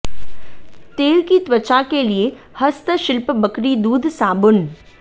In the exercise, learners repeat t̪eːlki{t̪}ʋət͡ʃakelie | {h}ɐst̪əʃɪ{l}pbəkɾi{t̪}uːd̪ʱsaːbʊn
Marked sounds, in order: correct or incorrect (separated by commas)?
correct, correct, correct, incorrect